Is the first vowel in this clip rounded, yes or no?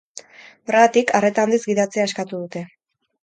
yes